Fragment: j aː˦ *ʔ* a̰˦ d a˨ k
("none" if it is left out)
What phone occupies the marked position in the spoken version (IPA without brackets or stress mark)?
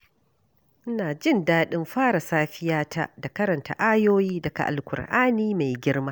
t